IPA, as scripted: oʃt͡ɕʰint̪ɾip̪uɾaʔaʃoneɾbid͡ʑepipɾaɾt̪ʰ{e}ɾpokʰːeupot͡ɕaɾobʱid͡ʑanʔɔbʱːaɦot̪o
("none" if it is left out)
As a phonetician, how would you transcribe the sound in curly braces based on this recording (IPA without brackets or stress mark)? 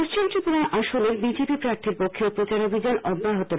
i